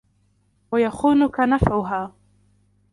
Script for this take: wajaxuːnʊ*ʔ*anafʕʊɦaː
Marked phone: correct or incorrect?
incorrect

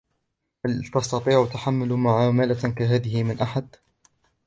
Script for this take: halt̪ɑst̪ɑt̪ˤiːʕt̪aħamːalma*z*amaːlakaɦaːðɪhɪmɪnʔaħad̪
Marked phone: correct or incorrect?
incorrect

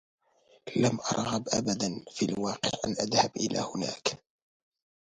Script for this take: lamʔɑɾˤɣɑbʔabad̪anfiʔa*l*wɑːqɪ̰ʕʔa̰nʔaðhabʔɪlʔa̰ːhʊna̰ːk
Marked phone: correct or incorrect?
correct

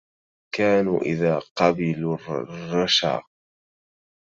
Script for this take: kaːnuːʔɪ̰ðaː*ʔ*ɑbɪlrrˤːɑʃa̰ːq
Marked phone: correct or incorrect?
incorrect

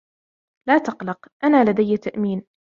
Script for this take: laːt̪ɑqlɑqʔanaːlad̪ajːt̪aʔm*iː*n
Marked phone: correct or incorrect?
correct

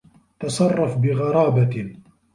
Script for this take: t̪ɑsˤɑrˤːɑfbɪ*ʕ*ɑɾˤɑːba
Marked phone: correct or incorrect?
incorrect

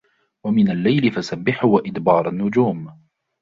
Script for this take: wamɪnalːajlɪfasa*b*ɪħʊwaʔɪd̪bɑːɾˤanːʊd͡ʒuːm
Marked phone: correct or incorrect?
incorrect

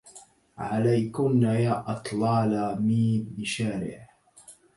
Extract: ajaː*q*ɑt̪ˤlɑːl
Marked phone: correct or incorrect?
incorrect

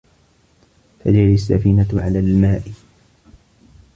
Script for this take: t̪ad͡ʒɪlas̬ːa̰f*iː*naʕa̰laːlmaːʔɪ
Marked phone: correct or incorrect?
correct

